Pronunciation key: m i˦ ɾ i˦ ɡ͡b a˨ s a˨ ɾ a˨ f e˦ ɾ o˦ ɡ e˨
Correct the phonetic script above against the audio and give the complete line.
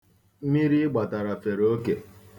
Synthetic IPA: m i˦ ɾ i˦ ɡ͡b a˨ t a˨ ɾ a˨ f e˨ ɾ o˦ k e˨

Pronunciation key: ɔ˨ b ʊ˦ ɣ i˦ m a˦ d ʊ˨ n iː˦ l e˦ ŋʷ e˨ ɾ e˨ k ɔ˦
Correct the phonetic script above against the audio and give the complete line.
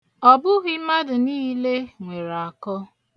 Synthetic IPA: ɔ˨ b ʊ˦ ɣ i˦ m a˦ d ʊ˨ n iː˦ l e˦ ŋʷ e˨ ɾ a˨ k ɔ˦

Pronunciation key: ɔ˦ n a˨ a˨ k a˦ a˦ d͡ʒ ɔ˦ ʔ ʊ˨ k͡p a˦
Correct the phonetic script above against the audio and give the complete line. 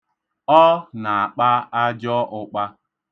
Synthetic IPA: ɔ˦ n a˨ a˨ k͡p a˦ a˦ d͡ʒ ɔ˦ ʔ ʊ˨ k͡p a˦

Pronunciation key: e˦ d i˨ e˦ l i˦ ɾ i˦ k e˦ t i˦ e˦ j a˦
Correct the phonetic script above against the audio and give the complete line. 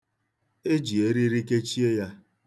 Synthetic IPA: e˦ d͡ʒ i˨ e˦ ɾ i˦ ɾ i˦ k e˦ t͡ʃ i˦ e˦ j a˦

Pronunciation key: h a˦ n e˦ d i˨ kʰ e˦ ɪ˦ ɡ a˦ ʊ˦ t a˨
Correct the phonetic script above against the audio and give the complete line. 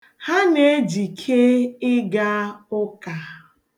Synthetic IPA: h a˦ n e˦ d͡ʒ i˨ kʰ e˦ ɪ˦ ɡ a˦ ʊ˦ k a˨

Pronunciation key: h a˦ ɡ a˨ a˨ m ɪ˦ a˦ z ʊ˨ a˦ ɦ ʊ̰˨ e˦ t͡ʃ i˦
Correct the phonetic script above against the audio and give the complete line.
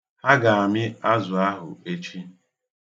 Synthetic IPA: h a˦ ɡ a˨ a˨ m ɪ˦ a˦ z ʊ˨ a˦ ɦ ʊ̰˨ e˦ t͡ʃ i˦

